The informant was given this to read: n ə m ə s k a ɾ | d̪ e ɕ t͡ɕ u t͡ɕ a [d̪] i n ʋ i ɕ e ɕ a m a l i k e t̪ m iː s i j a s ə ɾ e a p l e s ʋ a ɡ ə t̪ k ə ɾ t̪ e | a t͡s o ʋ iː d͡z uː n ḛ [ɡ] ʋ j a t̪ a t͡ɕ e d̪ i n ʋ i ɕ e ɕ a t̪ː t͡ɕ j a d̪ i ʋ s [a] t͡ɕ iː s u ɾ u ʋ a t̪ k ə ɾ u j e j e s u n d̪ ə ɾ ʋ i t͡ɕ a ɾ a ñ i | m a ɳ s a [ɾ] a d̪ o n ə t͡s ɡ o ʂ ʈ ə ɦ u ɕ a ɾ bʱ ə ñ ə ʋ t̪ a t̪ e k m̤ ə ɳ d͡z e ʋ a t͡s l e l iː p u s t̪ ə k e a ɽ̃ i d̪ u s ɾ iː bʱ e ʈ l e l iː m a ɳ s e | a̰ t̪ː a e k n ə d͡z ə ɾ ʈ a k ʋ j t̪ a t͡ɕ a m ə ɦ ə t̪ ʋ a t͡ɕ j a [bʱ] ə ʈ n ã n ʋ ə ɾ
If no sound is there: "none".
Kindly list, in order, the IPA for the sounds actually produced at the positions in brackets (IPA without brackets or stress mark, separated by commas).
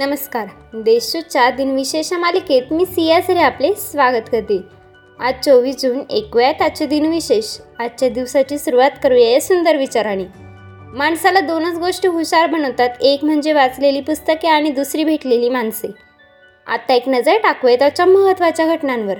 d̪, k, a, l, ɡʱ